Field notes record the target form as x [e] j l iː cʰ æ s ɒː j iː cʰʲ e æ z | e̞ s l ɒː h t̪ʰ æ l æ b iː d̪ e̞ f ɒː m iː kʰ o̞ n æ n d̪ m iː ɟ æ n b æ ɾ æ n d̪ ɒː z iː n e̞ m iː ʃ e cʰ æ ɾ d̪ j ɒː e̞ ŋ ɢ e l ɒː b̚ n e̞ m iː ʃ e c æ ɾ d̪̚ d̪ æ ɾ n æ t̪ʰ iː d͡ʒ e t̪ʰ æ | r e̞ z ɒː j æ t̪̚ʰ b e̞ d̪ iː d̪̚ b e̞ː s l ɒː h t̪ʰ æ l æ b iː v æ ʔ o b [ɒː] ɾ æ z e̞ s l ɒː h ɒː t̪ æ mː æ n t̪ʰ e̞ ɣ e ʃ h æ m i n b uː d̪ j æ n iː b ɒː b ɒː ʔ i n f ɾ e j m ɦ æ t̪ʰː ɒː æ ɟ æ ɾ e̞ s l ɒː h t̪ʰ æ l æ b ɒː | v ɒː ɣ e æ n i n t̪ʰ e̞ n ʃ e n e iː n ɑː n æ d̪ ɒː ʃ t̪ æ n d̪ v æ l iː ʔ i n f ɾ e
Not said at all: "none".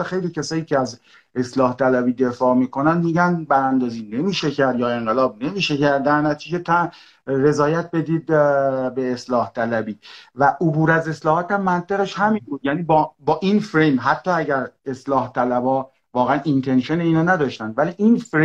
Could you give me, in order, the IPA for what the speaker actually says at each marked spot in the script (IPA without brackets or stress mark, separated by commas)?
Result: e, uː